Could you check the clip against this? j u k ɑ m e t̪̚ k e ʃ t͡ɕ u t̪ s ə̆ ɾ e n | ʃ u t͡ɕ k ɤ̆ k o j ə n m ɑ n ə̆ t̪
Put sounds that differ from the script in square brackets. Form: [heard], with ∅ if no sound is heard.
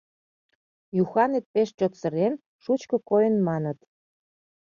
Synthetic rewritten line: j u [x] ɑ [n] e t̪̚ [p] e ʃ t͡ɕ [o] t̪ s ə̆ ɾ e n | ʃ u t͡ɕ k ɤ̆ k o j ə n m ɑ n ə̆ t̪